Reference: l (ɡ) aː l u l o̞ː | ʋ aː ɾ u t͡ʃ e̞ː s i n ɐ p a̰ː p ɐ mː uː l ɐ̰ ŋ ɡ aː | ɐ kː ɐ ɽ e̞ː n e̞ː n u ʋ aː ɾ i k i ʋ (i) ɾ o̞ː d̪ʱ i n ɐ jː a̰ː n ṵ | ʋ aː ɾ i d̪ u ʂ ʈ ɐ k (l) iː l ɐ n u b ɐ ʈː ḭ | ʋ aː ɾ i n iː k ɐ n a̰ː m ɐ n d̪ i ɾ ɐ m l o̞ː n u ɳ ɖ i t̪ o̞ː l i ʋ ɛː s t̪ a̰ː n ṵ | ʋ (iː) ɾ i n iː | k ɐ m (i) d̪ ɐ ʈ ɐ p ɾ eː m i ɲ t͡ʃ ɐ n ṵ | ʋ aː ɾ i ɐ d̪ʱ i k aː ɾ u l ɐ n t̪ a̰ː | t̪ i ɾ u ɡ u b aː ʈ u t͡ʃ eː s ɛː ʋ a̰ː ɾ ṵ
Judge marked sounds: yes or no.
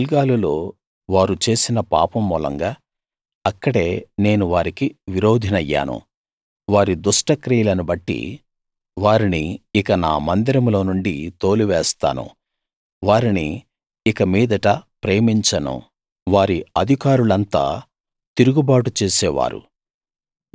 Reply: yes, yes, no, no, no

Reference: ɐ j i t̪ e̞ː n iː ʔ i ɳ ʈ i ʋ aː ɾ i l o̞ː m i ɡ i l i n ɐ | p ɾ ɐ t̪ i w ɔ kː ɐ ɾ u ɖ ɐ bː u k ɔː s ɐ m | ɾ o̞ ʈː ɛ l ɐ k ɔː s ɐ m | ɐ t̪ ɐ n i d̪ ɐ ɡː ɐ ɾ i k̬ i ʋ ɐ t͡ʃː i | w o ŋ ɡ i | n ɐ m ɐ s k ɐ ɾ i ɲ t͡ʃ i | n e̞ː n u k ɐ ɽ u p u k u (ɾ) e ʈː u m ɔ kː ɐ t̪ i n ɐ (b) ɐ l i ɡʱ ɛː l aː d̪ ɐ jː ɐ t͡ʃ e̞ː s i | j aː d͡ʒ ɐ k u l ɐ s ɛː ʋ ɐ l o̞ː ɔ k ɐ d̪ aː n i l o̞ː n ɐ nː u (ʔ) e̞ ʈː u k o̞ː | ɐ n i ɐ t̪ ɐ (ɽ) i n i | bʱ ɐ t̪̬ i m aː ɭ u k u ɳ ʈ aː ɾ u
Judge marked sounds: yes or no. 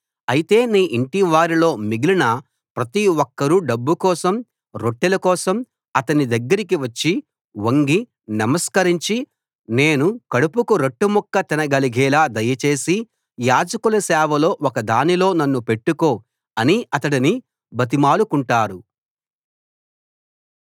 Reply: yes, no, no, yes

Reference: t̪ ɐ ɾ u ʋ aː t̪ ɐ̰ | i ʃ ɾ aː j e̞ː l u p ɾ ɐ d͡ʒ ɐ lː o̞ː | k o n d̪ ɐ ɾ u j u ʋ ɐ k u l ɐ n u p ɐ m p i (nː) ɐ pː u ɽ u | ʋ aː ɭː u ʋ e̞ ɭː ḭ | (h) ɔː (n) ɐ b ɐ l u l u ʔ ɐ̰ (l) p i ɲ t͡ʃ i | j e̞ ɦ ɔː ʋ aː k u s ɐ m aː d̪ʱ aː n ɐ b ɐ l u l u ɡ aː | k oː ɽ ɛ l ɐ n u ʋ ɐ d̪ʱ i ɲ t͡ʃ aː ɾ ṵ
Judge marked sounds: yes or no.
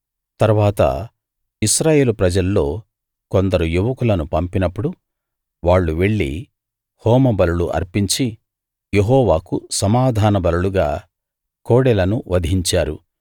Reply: no, yes, no, no

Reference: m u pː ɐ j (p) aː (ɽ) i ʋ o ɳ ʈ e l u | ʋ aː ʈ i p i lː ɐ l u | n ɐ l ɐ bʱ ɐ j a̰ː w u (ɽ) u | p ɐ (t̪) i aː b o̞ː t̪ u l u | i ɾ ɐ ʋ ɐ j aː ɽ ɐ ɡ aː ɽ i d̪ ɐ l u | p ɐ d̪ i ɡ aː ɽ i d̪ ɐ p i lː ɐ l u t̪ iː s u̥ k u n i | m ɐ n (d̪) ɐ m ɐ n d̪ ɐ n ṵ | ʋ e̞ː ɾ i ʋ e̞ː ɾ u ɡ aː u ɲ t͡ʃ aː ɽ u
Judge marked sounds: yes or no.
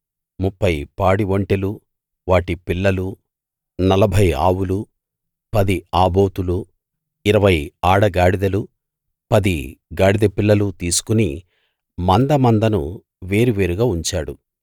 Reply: yes, yes, no, no, yes

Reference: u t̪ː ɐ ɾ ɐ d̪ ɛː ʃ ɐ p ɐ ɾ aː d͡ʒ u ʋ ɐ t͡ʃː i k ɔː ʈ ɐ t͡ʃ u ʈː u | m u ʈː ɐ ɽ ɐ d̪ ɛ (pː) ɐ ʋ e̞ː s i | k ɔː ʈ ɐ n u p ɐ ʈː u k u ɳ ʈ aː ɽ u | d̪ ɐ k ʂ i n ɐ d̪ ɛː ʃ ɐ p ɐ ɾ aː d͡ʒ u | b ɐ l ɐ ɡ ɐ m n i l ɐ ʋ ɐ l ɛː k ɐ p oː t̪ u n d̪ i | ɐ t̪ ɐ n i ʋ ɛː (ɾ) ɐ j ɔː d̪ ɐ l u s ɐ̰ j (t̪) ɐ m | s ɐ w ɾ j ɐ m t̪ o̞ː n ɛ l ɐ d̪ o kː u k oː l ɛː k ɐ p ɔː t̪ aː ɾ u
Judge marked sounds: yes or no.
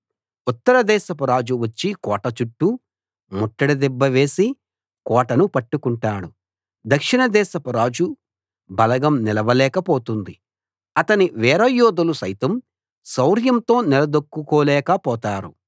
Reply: no, yes, yes

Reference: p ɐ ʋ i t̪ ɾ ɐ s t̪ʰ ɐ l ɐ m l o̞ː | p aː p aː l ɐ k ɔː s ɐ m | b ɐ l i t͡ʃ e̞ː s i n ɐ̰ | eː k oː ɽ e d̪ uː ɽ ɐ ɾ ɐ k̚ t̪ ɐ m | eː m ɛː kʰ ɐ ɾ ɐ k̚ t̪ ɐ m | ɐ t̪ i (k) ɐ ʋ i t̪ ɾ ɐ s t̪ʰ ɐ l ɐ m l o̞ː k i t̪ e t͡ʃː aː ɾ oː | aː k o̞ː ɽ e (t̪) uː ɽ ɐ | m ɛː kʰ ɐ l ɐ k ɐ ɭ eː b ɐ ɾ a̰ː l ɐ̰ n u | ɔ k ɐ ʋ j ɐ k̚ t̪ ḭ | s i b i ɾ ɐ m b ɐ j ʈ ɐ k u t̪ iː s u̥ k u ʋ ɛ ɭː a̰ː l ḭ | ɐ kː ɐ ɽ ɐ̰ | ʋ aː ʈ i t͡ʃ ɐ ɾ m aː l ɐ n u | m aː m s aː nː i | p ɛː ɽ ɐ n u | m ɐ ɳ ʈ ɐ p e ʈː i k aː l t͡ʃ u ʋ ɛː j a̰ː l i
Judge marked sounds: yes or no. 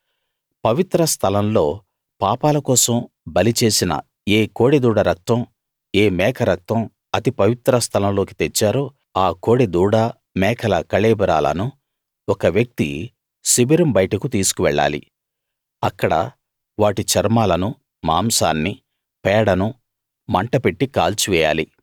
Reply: no, no

